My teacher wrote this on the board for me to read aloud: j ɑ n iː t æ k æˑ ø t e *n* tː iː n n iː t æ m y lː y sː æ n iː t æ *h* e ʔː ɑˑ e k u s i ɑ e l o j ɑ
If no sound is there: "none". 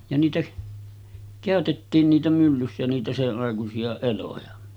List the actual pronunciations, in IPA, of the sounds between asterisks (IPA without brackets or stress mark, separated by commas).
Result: none, s